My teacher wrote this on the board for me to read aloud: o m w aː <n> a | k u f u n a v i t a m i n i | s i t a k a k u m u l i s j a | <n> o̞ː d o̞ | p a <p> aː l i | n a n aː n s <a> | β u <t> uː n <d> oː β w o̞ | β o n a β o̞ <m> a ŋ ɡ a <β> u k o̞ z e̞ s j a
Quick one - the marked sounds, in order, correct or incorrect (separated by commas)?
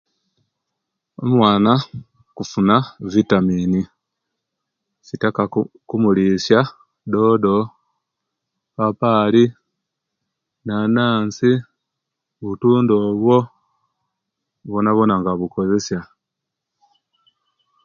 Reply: correct, incorrect, correct, incorrect, correct, correct, incorrect, correct